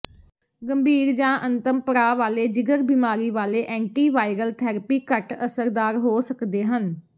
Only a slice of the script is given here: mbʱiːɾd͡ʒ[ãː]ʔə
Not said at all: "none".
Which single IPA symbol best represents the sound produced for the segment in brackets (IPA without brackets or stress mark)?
ãː